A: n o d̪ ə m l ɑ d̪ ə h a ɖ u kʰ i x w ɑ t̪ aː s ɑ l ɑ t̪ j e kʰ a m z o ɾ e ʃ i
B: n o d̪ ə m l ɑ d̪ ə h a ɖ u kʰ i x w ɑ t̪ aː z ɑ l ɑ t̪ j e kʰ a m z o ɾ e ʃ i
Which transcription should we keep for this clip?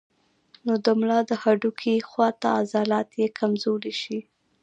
B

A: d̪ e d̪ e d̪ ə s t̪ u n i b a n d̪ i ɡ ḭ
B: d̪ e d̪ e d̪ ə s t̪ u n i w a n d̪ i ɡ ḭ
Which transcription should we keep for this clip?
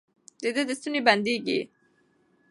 A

